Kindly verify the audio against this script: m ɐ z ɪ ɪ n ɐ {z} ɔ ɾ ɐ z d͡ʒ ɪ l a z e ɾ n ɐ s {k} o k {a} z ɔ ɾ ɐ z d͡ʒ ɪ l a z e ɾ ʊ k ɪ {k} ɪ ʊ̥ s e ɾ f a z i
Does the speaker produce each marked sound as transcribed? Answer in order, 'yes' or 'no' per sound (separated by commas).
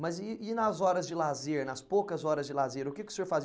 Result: yes, no, no, yes